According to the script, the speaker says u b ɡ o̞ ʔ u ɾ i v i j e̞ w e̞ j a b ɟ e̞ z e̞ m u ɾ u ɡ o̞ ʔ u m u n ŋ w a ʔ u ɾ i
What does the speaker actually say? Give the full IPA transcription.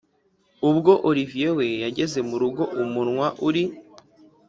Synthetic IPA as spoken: u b ɡ o̞ ʔ o ɾ i v i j e̞ w e̞ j a ɟ e̞ z e̞ m u ɾ u ɡ o̞ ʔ u m u n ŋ w a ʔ u ɾ i